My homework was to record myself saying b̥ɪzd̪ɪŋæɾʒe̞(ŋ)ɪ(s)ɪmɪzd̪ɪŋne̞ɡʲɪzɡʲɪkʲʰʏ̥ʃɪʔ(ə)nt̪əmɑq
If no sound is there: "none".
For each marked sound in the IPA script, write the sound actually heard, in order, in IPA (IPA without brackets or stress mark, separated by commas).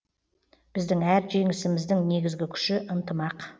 ŋ, s, ə